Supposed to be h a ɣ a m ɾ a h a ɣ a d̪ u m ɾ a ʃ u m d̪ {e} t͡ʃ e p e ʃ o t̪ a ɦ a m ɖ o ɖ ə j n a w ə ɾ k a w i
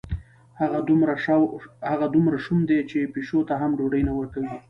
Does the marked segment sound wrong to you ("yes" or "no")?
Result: no